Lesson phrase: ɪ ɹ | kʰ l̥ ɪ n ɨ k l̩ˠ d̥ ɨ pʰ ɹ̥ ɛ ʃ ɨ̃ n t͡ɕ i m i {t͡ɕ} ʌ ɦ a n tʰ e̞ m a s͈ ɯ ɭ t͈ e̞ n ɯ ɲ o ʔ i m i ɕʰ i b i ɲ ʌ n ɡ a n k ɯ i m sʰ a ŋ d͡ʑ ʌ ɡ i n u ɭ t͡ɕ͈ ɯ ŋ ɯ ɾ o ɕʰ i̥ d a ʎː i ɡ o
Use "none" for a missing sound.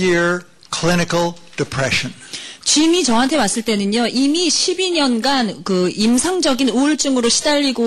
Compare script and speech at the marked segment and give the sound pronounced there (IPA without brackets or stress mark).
t͡ɕ